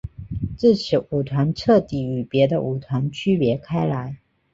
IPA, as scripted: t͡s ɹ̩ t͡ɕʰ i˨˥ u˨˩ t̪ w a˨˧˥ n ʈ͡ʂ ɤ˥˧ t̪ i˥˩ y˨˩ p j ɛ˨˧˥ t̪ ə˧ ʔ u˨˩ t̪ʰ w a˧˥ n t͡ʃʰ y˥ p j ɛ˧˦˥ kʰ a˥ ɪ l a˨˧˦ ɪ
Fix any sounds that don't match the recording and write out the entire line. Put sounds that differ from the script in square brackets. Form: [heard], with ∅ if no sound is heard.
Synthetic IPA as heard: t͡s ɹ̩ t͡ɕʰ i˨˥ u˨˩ [t̪ʰ] w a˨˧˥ n [ʈ͡ʂʰ] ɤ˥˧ t̪ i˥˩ y˨˩ p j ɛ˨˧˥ [d̪] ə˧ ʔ u˨˩ t̪ʰ w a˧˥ n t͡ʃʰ y˥ p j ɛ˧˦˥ kʰ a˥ ɪ l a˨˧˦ ɪ

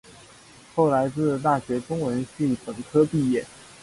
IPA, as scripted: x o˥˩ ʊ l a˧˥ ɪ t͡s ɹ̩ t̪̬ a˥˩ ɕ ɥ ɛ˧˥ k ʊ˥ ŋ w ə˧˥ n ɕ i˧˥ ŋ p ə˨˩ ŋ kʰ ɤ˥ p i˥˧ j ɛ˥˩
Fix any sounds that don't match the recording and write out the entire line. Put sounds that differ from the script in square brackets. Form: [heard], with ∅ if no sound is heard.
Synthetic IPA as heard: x o˥˩ ʊ l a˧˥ ɪ t͡s ɹ̩ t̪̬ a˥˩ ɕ ɥ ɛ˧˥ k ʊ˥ ŋ w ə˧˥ n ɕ [i˥˩] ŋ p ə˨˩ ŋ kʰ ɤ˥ p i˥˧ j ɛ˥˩

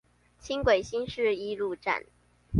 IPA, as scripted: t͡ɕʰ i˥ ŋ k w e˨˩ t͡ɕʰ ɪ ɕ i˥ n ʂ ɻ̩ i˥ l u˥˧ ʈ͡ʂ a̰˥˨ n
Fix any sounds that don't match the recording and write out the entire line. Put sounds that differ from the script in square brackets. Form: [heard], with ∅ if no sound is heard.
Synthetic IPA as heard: t͡ɕʰ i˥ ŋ k w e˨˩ [∅] ɪ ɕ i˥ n ʂ ɻ̩ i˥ l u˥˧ ʈ͡ʂ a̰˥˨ n

